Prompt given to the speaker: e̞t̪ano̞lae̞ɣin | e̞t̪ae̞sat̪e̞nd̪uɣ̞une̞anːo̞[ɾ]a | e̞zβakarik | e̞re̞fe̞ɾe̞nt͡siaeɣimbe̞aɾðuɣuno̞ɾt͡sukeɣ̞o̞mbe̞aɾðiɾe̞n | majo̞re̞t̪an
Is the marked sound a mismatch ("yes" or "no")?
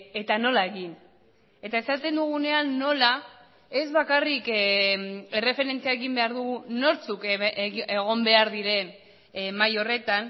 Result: yes